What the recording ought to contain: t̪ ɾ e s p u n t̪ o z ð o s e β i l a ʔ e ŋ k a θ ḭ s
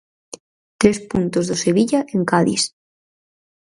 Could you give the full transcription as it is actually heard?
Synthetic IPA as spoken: t̪ ɾ e s p u n t̪ o z ð o s e β i ʎ a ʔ e ŋ k a ð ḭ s